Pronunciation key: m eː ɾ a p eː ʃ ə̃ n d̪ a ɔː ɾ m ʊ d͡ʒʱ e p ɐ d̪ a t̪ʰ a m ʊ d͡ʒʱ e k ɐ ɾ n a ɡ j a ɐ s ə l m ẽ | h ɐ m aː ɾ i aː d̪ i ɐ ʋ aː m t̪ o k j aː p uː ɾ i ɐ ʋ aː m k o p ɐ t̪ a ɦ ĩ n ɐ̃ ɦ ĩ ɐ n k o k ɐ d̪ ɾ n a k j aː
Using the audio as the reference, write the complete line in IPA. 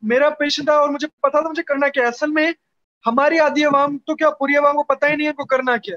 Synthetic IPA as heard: m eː ɾ a p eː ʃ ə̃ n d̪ a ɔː ɾ m ʊ d͡ʒʱ e p ɐ t̪ a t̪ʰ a m ʊ d͡ʒʱ e k ɐ ɾ n a k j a ɐ s ə l m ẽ | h ɐ m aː ɾ i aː d̪ i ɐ ʋ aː m t̪ o k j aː p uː ɾ i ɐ ʋ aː m k o p ɐ t̪ a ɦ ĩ n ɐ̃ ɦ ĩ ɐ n k o k ɐ ɾ n a k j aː